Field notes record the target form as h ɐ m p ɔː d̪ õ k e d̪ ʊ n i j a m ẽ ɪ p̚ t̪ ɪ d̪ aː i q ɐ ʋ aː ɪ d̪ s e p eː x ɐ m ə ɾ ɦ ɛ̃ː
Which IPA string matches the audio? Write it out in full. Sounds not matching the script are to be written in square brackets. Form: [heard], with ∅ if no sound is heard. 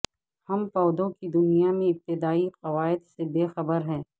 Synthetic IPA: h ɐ m p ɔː d̪ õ k [i] d̪ ʊ n i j a m ẽ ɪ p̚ t̪ ɪ d̪ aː i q ɐ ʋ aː ɪ d̪ s e [b] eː x ɐ [b] ə ɾ ɦ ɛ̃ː